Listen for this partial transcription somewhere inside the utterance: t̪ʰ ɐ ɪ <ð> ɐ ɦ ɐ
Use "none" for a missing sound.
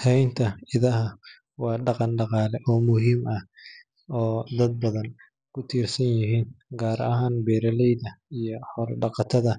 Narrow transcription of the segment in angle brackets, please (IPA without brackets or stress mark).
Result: ð